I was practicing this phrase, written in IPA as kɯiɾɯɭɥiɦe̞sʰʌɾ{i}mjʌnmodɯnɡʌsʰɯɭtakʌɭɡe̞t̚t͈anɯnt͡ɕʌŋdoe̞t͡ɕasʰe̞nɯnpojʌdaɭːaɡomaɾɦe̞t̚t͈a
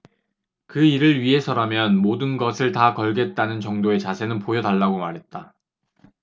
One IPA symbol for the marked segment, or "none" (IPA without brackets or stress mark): a